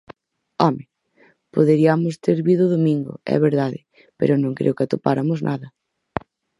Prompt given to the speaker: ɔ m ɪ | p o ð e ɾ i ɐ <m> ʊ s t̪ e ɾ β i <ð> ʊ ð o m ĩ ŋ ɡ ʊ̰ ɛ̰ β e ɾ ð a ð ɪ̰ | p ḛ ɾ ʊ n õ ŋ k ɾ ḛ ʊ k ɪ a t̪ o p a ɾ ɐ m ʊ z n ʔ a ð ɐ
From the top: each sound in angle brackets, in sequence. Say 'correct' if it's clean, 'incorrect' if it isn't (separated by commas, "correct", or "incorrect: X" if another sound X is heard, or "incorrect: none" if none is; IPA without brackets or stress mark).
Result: correct, correct